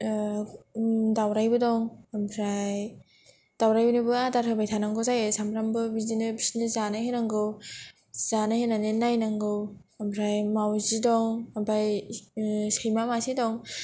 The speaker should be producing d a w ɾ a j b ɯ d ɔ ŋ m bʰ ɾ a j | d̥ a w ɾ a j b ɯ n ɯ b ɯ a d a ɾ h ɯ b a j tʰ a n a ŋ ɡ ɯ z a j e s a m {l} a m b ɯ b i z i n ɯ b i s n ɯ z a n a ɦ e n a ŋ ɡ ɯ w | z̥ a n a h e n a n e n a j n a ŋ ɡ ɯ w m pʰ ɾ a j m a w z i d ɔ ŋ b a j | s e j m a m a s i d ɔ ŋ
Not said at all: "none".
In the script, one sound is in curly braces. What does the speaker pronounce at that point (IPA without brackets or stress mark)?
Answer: ɾ